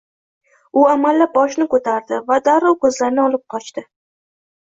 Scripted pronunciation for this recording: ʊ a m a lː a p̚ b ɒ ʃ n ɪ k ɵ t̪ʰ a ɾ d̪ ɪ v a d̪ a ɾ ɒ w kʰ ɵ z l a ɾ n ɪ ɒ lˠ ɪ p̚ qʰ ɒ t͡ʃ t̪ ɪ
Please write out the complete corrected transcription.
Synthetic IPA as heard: ʊ a m a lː a p̚ b ɒ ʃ n ɪ k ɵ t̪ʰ a ɾ d̪ ɪ v a d̪ a ɾ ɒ w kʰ ɵ z l a ɾ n ɪ ɒ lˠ ɪ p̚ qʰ ɒ t͡ʃ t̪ ɪ

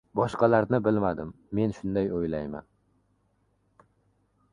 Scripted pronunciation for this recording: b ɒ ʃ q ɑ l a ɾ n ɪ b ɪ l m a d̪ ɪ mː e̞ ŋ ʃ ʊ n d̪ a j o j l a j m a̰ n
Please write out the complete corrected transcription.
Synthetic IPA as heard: b ɒ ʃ q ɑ l a ɾ n ɪ b ɪ l m a d̪ ɪ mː e̞ n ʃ ʊ n d̪ a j o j l a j m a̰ n

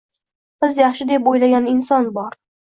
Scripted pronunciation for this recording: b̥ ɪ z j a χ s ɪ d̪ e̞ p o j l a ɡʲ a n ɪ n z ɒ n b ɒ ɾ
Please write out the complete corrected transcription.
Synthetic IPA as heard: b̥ ɪ z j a χ ʃ ɪ d̪ e̞ p o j l a ɡʲ a n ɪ n s ɒ n b ɒ ɾ

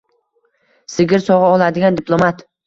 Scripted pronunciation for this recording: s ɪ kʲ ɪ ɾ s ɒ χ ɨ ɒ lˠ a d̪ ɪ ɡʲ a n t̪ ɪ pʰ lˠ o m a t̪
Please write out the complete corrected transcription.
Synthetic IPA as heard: s ɪ ɡʲ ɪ ɾ s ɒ ʁ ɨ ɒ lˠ a d̪ ɪ ɡʲ a n d̪ ɪ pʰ lˠ o m a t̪

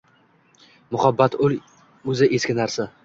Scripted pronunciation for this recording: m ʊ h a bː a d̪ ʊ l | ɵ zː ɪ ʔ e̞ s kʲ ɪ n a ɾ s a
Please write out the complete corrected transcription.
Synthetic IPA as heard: m ʊ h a bː a t̪ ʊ l | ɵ z ɪ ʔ e̞ s kʲ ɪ n a ɾ s a

